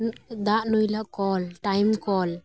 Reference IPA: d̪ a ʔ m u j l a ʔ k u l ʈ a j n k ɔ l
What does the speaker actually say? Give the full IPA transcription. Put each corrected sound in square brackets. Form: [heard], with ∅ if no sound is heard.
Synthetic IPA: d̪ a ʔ [n] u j l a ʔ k [ɔ] l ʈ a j [m] k ɔ l